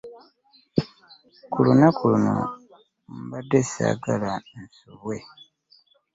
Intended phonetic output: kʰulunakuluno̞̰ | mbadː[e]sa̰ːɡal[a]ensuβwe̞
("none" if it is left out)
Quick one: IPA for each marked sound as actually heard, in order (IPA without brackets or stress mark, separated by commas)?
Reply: e, a